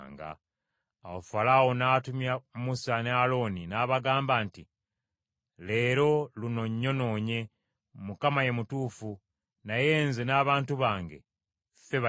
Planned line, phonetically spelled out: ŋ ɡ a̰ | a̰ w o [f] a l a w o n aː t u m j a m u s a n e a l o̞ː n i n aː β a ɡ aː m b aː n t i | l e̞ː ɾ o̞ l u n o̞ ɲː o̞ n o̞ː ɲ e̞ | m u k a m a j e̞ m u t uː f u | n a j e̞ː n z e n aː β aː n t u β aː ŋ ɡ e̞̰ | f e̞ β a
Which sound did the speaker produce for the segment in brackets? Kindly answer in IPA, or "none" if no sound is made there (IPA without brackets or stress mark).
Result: f